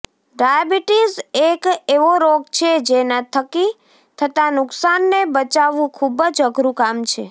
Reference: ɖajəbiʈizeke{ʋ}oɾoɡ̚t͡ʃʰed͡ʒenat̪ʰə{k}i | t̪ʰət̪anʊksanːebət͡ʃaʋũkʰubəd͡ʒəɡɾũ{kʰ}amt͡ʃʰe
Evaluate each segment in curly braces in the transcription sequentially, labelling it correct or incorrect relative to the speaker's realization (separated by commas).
correct, correct, incorrect